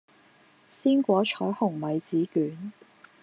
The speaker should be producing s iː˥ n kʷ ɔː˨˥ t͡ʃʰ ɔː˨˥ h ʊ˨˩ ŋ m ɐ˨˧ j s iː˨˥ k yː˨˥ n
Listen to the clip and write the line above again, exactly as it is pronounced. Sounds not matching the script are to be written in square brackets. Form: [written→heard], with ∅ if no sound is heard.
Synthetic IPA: s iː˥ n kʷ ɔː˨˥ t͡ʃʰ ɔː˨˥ h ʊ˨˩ ŋ m ɐ˨˧ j [s→t͡s] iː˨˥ k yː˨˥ n